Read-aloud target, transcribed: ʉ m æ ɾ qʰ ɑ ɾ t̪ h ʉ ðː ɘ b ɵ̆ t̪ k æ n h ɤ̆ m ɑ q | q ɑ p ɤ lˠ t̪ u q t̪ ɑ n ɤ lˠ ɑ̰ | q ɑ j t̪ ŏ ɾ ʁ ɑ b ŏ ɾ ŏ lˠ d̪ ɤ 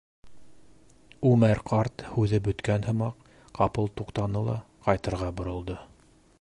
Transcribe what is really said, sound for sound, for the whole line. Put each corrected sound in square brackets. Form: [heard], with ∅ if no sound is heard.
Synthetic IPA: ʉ m æ ɾ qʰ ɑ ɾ t̪ h ʉ [ð] ɘ b ɵ̆ t̪ k æ n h ɤ̆ m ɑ q | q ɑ p ɤ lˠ t̪ u q t̪ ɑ n ɤ lˠ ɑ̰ | q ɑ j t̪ [ɤ̆] ɾ ʁ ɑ b ŏ ɾ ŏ lˠ d̪ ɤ